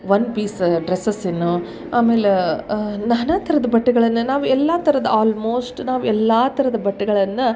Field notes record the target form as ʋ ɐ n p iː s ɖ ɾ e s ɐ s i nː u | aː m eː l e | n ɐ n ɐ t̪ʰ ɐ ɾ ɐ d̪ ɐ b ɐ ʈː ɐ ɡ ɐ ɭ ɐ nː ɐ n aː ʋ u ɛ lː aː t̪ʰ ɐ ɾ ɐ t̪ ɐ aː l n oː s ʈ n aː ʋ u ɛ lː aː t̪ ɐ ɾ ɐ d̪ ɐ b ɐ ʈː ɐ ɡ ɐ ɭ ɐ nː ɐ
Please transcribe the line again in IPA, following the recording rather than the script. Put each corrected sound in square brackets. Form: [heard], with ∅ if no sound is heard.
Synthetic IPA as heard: ʋ ɐ n p iː s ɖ ɾ e s ɐ s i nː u | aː m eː l e | n ɐ n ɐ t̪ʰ ɐ ɾ ɐ d̪ ɐ b ɐ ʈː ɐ ɡ ɐ ɭ ɐ nː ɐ n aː ʋ u ɛ lː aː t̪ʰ ɐ ɾ ɐ [d̪] ɐ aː l [m] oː s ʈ n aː ʋ u ɛ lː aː t̪ ɐ ɾ ɐ d̪ ɐ b ɐ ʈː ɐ ɡ ɐ ɭ ɐ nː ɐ